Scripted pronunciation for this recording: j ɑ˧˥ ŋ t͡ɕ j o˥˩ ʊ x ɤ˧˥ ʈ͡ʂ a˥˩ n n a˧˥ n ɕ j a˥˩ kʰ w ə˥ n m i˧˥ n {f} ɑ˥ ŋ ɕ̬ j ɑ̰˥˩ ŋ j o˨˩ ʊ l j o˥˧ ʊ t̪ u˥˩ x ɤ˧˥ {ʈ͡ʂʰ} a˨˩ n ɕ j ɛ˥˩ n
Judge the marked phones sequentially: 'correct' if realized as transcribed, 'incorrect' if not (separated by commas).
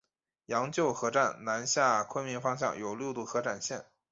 correct, incorrect